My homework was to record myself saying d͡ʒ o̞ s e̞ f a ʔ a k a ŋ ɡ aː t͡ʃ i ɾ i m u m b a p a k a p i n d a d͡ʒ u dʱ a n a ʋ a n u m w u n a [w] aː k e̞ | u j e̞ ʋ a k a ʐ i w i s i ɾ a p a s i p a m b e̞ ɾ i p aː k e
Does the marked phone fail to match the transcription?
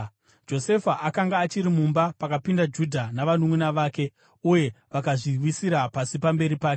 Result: yes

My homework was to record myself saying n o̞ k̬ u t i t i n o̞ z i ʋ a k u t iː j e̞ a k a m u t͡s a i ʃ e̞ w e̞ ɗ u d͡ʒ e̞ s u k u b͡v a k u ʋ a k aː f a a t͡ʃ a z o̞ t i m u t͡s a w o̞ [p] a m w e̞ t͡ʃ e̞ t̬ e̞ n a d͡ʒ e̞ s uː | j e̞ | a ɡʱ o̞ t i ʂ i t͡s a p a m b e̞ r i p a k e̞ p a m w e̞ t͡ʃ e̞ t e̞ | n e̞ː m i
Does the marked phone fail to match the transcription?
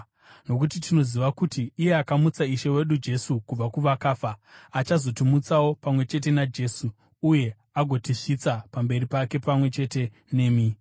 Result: no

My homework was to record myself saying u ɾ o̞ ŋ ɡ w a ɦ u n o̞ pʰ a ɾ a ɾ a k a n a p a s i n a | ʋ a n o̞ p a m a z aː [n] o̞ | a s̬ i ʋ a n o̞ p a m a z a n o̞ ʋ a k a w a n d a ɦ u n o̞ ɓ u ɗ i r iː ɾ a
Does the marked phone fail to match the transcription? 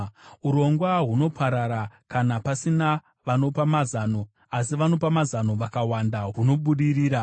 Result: no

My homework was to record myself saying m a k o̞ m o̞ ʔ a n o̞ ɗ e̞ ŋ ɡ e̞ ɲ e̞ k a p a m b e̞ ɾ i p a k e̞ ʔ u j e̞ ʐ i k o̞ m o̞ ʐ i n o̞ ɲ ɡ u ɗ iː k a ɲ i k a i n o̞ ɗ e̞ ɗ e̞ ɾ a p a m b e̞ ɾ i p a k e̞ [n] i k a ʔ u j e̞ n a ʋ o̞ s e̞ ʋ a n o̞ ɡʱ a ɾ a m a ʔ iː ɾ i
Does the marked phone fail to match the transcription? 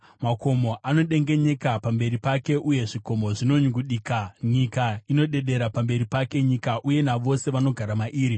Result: yes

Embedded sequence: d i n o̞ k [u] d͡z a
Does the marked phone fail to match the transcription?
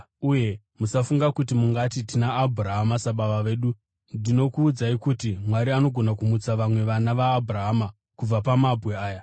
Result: yes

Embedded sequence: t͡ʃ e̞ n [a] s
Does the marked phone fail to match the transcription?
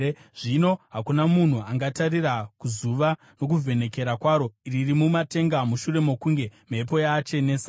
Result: yes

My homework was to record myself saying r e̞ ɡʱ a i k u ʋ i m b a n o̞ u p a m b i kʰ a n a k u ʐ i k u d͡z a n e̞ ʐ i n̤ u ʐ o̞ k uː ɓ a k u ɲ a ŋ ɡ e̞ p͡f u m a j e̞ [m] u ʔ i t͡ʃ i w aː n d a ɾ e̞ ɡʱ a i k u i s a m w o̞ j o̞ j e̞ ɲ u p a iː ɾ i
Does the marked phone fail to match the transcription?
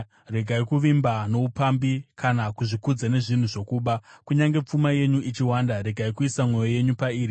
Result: yes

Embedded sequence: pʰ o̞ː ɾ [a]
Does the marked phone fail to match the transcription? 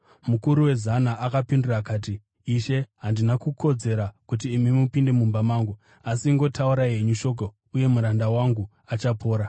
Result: no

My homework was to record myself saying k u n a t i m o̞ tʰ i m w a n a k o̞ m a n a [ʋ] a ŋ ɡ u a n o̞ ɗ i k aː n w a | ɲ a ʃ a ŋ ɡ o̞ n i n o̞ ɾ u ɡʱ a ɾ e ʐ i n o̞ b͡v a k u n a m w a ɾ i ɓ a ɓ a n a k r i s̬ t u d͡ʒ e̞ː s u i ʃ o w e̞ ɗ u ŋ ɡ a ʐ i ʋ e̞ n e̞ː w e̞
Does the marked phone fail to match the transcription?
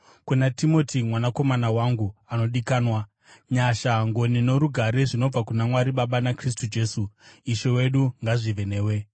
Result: yes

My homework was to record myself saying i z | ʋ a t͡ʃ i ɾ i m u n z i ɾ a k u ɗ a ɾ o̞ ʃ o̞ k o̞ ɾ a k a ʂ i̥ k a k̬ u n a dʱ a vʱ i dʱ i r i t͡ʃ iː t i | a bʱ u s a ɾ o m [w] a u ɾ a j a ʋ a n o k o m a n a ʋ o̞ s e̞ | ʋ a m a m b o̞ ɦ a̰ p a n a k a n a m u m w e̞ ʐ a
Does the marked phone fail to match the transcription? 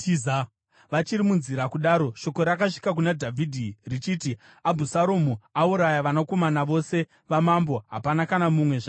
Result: yes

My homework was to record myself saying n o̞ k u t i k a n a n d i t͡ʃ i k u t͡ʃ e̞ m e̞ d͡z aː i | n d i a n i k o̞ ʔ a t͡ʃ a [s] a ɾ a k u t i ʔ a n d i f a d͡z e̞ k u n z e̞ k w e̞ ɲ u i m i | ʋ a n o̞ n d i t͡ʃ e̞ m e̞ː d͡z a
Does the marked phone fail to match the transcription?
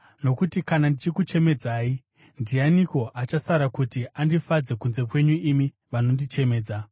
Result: no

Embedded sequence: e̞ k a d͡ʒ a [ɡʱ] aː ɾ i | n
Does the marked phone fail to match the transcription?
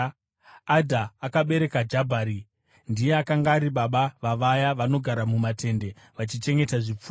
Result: yes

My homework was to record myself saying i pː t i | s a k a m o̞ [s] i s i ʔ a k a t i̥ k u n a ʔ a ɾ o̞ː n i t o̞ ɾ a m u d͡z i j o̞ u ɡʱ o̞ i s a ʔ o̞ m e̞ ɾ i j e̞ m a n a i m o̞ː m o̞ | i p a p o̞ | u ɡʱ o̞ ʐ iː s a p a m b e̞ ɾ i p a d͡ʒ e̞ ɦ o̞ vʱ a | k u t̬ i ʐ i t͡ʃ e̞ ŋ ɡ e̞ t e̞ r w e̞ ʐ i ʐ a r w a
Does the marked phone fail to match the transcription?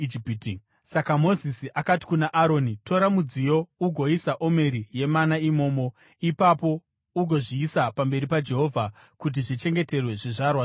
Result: yes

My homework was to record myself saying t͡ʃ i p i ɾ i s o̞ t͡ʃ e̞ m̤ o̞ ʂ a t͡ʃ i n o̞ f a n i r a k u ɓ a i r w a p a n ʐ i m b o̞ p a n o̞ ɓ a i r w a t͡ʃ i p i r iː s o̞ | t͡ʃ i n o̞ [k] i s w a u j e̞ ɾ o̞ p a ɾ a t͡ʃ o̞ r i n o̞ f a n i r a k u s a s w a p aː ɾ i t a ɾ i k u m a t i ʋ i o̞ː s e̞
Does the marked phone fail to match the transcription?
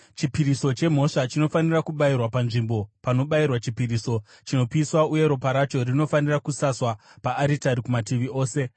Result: yes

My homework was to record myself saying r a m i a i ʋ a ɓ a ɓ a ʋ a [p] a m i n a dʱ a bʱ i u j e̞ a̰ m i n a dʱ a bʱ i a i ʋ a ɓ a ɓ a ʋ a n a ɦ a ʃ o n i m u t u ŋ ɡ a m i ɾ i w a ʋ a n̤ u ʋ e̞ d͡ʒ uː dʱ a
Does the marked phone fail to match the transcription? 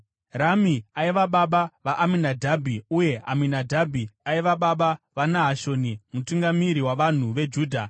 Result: yes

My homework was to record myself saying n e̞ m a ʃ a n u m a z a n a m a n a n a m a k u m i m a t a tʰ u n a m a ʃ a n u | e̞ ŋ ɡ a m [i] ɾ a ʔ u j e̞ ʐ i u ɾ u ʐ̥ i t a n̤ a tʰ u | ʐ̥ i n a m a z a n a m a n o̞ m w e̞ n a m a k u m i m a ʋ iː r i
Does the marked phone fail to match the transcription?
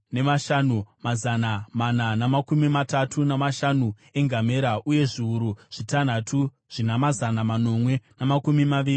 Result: yes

